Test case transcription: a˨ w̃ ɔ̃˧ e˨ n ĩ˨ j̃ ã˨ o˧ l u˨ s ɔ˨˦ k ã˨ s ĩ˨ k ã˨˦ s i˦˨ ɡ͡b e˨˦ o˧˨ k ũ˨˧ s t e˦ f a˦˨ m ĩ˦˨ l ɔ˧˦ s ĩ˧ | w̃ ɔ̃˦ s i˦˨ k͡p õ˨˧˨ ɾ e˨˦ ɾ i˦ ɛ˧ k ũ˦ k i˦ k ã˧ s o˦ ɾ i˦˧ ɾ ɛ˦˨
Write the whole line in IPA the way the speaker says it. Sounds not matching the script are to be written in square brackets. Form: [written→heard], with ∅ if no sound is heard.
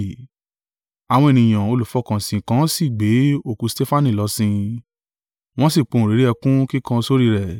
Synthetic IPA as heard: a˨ w̃ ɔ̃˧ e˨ n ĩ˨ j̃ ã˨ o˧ l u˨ [s→f] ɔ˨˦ k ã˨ s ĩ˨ k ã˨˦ s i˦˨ ɡ͡b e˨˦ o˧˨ k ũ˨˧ s t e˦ f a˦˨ [m→n] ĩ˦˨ l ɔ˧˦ s ĩ˧ | w̃ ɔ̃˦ s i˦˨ k͡p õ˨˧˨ ɾ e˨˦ ɾ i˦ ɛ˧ k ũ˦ k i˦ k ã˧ s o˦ ɾ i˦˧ ɾ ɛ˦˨

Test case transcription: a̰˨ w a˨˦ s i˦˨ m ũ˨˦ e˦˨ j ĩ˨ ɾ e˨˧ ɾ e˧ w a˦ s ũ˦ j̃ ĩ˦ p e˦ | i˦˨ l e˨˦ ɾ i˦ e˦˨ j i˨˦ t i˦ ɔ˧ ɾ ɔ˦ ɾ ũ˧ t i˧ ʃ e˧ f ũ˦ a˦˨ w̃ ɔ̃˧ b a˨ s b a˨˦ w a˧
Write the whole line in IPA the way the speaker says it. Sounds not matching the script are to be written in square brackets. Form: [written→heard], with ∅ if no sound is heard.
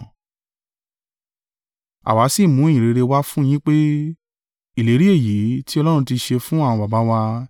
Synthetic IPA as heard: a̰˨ w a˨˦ s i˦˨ m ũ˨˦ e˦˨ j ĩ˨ ɾ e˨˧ ɾ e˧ w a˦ [s→f] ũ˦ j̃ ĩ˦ [p→k͡p] e˦ | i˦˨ l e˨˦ ɾ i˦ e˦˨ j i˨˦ t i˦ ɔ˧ [ɾ→l] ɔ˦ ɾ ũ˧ t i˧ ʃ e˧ f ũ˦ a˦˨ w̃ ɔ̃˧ b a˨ [s→∅] b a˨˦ w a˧

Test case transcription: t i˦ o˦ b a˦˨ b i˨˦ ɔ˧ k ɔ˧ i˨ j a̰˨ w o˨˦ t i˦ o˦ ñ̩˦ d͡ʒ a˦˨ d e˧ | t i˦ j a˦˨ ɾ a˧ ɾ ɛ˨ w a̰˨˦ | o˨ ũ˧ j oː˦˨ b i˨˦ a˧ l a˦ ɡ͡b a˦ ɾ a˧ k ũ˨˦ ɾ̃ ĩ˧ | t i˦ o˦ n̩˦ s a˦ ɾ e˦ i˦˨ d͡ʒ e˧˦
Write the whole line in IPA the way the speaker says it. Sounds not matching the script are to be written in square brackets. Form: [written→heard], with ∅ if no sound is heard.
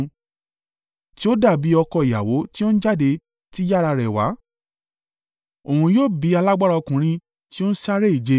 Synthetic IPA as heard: t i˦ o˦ [b→d] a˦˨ b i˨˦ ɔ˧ k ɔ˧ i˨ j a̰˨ w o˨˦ t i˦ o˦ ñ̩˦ d͡ʒ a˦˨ d e˧ | t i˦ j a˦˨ ɾ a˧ ɾ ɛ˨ w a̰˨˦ | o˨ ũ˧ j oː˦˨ b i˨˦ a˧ l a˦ ɡ͡b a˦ ɾ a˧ k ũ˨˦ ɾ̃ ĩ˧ | t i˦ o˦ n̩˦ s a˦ ɾ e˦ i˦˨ d͡ʒ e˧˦

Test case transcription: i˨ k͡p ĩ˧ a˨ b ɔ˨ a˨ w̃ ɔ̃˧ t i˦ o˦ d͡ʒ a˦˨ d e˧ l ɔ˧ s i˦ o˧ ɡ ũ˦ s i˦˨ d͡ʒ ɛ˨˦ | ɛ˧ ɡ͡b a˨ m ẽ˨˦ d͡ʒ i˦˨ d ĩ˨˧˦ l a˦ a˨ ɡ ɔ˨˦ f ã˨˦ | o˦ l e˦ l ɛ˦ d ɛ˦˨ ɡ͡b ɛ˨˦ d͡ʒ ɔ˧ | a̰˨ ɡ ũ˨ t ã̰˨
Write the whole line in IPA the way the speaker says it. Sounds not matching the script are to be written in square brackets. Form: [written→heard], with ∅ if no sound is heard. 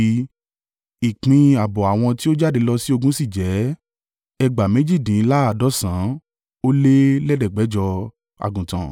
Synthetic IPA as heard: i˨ k͡p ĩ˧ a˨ b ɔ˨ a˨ w̃ ɔ̃˧ t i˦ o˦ d͡ʒ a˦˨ d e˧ l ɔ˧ s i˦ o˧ ɡ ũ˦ s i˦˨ d͡ʒ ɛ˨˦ | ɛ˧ ɡ͡b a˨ m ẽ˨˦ d͡ʒ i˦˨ d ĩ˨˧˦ l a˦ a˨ [ɡ→d] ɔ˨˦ [f→s] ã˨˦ | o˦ l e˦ l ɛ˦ d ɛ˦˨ ɡ͡b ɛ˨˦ d͡ʒ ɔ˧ | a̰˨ ɡ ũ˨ t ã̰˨

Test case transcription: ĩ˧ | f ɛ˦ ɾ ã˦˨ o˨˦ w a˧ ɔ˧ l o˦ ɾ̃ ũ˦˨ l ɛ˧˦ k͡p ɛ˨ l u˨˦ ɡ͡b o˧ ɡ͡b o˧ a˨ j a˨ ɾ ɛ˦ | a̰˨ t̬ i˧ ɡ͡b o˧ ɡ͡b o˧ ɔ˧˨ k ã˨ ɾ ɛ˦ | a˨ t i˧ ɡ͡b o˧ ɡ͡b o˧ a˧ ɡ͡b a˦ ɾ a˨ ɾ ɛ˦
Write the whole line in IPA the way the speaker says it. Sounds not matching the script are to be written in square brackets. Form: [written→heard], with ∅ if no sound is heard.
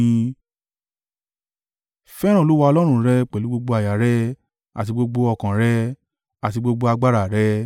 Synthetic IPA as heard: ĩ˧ | f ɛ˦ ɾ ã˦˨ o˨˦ w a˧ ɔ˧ l [o˦→ɔ˦] ɾ̃ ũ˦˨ [l→ɾ] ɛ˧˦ k͡p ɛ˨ l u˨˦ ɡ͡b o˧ ɡ͡b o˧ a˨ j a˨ ɾ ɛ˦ | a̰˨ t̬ i˧ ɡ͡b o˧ ɡ͡b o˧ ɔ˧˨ k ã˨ ɾ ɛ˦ | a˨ t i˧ ɡ͡b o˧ ɡ͡b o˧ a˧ ɡ͡b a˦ ɾ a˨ ɾ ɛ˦

